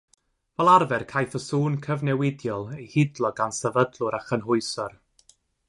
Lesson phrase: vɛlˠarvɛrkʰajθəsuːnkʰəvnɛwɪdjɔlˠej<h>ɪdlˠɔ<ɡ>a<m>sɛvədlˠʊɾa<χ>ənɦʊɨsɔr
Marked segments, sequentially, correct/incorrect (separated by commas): correct, correct, incorrect, correct